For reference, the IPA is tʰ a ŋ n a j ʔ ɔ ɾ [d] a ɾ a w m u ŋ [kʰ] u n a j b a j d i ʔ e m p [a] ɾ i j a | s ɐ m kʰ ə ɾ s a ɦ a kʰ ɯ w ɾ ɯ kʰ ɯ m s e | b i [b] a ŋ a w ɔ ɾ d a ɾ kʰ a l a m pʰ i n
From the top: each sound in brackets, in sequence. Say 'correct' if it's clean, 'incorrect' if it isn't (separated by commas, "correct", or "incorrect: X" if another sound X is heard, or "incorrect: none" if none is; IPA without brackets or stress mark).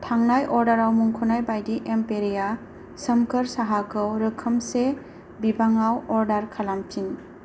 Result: correct, correct, incorrect: e, correct